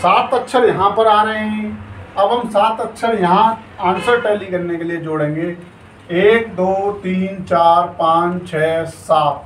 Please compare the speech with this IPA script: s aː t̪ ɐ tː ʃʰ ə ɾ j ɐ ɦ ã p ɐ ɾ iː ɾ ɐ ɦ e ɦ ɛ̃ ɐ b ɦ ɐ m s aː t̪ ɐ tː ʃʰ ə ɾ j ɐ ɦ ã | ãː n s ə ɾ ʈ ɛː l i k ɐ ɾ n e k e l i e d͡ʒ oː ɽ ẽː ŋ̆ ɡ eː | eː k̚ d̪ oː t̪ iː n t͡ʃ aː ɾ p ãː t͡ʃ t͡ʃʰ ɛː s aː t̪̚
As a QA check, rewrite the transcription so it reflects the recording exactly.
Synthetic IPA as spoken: s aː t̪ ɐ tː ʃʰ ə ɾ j ɐ ɦ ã p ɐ ɾ aː ɾ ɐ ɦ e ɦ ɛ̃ ɐ b ɦ ɐ m s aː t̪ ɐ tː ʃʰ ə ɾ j ɐ ɦ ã | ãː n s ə ɾ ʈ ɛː l i k ɐ ɾ n e k e l i e d͡ʒ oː ɽ ẽː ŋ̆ ɡ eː | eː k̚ d̪ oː t̪ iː n t͡ʃ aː ɾ p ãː t͡ʃ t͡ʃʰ ɛː s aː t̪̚